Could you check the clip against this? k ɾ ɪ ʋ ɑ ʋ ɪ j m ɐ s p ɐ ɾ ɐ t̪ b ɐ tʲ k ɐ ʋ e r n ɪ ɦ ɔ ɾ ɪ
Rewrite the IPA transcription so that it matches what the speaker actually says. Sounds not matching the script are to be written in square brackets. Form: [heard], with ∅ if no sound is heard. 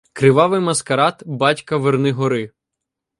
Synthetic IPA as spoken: k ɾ ɪ ʋ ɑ ʋ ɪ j m ɐ s [k] ɐ ɾ [ɑ] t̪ b [ɑ] tʲ k ɐ ʋ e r n ɪ ɦ ɔ ɾ ɪ